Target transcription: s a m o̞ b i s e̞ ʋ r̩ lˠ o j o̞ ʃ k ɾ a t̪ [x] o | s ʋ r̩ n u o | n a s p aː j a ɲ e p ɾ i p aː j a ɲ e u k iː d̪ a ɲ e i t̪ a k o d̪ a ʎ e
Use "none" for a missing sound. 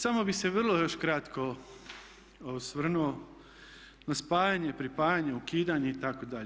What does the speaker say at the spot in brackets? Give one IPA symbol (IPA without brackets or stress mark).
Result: k